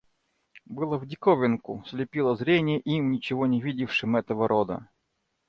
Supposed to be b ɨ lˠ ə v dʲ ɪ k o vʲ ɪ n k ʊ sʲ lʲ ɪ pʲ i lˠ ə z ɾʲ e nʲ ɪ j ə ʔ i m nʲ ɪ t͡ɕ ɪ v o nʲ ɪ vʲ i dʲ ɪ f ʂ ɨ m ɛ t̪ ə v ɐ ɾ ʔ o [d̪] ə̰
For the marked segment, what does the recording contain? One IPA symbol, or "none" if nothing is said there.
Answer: d̪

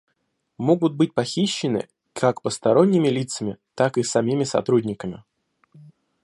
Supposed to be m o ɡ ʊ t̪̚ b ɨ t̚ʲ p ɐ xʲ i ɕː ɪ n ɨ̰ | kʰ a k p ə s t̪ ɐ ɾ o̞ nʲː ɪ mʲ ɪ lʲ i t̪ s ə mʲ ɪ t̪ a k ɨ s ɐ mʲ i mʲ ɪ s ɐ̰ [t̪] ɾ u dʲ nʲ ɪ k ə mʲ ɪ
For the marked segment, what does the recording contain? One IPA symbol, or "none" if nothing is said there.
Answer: t̪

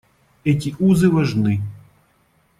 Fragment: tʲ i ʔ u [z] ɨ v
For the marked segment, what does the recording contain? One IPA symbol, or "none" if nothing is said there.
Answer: z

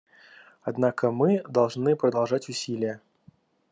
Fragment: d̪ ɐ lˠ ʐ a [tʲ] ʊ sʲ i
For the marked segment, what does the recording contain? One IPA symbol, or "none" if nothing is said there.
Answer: tʲ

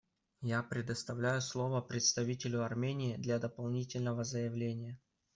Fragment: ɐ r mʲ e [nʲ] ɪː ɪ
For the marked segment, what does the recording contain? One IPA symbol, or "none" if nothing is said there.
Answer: nʲ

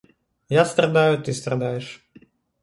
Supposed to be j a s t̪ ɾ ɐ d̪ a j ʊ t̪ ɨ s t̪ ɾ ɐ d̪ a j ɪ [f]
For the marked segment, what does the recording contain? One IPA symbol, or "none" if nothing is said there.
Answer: ʂ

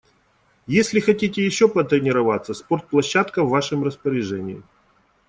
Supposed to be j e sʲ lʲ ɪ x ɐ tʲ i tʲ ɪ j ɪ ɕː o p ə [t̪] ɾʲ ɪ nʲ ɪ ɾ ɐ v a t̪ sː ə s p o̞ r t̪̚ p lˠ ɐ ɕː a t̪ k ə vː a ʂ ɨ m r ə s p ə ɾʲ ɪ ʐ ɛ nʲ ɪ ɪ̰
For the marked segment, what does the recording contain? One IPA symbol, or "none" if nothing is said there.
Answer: t̪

